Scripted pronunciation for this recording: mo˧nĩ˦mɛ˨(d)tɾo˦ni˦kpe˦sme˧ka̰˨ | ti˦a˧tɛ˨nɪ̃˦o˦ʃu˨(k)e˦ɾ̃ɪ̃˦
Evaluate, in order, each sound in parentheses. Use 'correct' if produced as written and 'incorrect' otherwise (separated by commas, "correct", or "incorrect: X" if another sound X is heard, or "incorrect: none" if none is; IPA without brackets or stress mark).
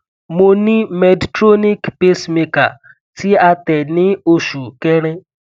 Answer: correct, correct